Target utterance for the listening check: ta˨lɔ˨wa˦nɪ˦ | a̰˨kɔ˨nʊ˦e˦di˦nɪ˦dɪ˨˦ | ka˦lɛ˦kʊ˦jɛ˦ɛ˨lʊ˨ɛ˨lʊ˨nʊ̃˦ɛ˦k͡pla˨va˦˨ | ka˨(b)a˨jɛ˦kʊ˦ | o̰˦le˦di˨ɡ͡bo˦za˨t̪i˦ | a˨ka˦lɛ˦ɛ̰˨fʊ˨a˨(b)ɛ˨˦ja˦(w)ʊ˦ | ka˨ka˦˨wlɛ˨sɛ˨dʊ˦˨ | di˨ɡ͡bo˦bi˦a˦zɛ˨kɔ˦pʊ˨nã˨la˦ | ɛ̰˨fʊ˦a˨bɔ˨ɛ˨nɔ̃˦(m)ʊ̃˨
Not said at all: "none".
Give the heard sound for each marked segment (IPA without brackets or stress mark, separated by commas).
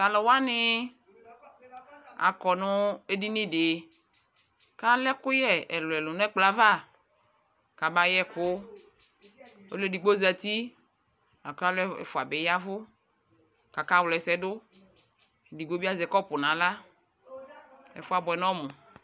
b, b, v, m